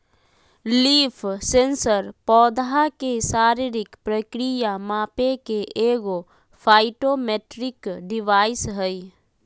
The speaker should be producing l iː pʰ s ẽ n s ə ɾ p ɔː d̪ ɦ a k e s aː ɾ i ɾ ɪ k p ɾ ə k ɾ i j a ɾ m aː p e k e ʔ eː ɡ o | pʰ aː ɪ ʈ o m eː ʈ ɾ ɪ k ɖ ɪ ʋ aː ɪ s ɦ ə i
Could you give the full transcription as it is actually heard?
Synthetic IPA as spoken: l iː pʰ s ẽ n s ə ɾ p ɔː d̪ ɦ a k e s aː ɾ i ɾ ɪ k p ɾ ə k ɾ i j a m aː p e k e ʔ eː ɡ o | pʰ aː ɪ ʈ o m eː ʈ ɾ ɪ k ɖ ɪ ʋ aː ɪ s ɦ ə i